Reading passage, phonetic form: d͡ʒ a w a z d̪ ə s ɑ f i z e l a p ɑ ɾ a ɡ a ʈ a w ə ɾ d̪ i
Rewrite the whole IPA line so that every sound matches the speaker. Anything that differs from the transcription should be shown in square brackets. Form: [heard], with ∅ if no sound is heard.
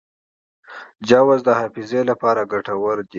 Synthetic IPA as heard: d͡ʒ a w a z d̪ ə [h] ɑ f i z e l a p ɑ ɾ a ɡ a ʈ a w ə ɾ d̪ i